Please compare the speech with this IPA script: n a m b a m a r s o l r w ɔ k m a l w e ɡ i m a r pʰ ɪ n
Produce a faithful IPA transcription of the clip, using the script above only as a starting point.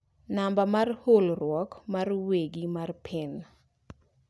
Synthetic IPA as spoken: n a m b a m a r h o l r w ɔ k m a r w e ɡ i m a r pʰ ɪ n